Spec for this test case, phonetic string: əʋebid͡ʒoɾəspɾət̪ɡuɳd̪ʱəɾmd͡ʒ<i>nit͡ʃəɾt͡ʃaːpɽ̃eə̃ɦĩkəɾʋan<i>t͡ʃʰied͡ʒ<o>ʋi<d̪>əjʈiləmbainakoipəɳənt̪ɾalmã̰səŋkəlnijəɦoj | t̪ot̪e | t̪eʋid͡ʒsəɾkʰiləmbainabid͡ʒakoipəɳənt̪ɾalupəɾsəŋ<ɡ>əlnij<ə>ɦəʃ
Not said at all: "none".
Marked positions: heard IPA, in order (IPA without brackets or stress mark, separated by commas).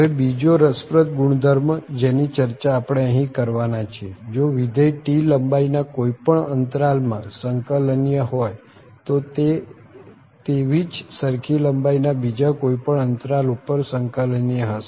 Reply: e, a, o, d̪, k, ə